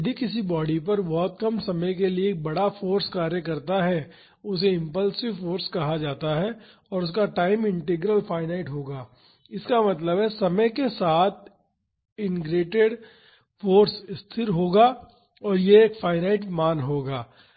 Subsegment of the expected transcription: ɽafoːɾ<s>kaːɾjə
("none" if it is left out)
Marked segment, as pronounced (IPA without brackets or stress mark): s